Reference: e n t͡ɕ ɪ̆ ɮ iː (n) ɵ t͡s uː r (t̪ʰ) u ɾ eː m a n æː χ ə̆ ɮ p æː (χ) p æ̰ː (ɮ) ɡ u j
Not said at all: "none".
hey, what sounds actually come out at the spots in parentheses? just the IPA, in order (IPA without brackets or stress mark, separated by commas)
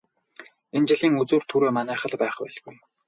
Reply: ŋ, t̪ʰ, χ, ɮ